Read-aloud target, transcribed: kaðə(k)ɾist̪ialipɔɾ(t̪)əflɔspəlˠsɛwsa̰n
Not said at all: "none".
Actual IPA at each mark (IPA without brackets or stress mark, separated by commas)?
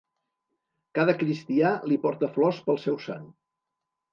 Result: k, t̪